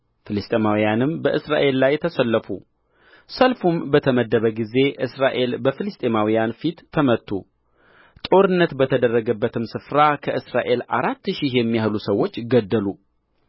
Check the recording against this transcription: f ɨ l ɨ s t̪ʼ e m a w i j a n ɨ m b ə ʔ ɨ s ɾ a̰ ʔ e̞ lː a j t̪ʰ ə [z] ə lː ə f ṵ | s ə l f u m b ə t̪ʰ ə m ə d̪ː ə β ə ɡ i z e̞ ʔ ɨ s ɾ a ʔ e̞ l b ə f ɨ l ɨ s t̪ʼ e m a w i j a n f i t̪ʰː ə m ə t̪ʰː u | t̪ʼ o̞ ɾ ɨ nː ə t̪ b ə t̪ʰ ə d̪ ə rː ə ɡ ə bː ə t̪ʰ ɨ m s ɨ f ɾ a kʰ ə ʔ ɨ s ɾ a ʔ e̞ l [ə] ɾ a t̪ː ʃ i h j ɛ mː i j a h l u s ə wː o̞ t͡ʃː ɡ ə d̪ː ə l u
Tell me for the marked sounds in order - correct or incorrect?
incorrect: s, incorrect: a

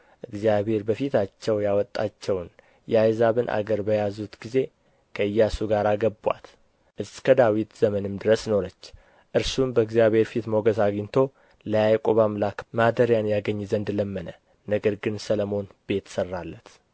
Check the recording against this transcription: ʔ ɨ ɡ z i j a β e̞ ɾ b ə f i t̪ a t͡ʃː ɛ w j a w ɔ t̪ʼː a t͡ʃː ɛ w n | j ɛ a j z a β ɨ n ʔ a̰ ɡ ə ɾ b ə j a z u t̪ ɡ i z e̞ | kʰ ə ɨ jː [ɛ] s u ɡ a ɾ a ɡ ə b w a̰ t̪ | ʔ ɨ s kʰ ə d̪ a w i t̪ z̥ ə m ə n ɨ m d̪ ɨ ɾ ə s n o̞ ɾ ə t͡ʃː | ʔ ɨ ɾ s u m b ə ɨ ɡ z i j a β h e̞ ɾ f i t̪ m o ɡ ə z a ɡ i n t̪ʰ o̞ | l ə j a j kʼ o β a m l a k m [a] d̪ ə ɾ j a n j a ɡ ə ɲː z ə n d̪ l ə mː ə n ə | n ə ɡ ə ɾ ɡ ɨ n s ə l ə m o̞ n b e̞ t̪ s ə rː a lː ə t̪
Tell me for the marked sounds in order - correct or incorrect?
incorrect: a, correct

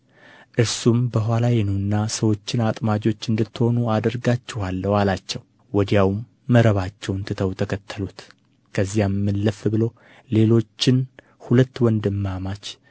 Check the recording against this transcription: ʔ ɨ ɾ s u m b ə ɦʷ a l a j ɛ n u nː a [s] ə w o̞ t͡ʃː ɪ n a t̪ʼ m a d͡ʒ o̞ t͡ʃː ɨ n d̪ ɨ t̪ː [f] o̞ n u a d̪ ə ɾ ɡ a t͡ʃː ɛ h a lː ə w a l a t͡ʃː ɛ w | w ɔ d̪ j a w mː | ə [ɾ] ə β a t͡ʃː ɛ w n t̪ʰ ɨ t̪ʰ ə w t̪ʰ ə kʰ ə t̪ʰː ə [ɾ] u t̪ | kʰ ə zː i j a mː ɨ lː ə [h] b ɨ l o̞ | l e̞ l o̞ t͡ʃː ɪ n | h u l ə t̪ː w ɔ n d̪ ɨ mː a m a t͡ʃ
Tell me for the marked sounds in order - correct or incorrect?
correct, incorrect: h, correct, incorrect: l, incorrect: f

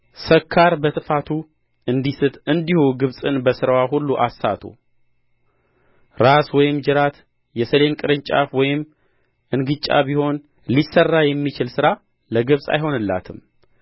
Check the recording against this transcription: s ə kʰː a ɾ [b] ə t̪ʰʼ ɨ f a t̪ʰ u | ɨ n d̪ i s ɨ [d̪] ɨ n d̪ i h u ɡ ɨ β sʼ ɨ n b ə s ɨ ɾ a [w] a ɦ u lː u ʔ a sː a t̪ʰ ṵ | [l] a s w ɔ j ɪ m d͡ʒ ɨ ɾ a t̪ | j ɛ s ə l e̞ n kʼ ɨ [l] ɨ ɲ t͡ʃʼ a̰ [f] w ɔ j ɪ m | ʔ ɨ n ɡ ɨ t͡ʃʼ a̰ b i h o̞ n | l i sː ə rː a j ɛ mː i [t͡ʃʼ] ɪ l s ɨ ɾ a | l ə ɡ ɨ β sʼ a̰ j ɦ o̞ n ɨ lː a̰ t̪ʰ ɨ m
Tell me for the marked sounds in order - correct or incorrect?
correct, incorrect: t̪, correct, incorrect: ɾ, incorrect: ɾ, correct, incorrect: t͡ʃ

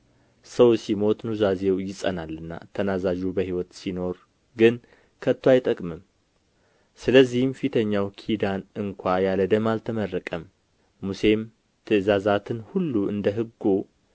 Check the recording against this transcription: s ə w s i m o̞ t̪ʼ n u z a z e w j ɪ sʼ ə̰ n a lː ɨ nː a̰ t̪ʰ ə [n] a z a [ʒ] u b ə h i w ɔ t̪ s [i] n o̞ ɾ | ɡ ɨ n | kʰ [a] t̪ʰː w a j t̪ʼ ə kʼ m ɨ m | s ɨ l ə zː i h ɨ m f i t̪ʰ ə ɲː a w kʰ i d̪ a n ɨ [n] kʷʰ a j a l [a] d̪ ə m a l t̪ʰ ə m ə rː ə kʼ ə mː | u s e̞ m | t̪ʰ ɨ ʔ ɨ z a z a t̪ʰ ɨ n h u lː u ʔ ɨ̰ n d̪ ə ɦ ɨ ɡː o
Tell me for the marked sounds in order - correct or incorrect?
correct, correct, correct, incorrect: ə, incorrect: ŋ, incorrect: ə

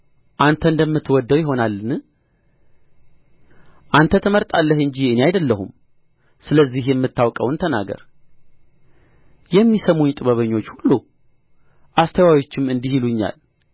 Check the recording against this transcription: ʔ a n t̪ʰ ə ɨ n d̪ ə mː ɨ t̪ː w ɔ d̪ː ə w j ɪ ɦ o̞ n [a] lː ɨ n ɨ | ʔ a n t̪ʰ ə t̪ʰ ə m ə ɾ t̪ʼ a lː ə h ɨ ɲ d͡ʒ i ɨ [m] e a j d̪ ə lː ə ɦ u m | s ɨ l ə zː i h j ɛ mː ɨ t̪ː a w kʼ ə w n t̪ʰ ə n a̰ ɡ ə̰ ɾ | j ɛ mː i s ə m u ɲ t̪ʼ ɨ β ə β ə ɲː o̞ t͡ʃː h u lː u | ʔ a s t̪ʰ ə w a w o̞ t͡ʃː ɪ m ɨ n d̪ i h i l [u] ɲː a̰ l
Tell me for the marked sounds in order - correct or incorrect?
correct, incorrect: n, correct

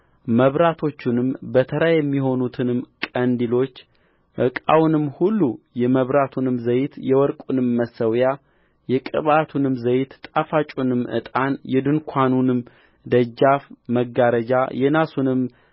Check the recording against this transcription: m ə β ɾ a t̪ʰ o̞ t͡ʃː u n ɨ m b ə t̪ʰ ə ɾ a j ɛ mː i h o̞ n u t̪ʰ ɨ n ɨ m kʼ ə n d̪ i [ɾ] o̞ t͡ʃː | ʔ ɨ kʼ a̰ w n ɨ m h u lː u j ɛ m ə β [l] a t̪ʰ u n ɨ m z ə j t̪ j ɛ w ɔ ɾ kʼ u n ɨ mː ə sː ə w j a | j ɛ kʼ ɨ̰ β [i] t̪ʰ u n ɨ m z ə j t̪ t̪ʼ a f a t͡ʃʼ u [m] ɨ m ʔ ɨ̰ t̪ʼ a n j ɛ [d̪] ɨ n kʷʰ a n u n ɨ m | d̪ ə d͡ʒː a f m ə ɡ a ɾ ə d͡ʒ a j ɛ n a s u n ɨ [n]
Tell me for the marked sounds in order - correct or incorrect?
incorrect: l, incorrect: ɾ, incorrect: a, incorrect: n, correct, incorrect: m

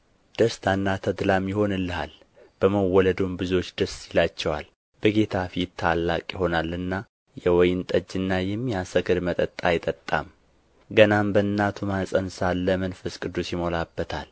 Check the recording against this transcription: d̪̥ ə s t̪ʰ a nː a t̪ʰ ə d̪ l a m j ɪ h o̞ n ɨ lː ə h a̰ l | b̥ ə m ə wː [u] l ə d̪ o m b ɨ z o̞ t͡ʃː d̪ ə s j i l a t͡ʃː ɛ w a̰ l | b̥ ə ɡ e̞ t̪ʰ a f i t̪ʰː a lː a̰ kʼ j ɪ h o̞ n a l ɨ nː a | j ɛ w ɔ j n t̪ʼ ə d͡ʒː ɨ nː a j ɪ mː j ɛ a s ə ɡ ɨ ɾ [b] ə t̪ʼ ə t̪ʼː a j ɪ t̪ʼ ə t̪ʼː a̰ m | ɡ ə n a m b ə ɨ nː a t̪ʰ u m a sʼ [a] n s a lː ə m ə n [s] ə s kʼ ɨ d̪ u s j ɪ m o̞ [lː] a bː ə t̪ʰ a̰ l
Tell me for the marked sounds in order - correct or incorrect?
incorrect: ɔ, incorrect: m, incorrect: ə, incorrect: f, incorrect: l

